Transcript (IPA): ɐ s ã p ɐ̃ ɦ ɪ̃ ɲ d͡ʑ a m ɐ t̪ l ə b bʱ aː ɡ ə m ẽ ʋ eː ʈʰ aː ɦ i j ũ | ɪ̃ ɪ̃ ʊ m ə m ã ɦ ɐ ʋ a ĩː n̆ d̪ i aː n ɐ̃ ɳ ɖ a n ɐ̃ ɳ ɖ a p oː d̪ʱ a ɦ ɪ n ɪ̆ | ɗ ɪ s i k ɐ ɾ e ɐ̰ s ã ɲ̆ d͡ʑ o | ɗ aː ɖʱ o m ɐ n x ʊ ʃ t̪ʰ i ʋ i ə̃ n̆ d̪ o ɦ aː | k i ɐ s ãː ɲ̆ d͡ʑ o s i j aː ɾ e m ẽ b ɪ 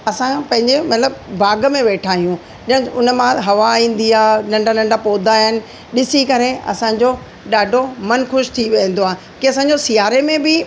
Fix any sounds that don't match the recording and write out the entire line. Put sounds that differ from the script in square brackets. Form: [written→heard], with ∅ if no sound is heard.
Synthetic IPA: ɐ s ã p ɐ̃ ɦ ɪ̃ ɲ d͡ʑ [a→e] m ɐ t̪ l ə b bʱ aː ɡ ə m ẽ ʋ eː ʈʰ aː ɦ i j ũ | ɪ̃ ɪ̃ ʊ [m→n] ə m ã ɦ ɐ ʋ a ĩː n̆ d̪ i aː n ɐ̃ ɳ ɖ a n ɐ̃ ɳ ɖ a p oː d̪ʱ a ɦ ɪ n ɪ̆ | ɗ ɪ s i k ɐ ɾ e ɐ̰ s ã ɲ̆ d͡ʑ o | ɗ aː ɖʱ o m ɐ n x ʊ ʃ t̪ʰ i ʋ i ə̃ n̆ d̪ o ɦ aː | k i ɐ s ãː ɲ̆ d͡ʑ o s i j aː ɾ e m ẽ b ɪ